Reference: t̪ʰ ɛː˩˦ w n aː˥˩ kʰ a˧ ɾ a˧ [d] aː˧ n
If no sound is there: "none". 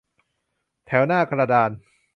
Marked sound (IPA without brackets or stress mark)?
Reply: d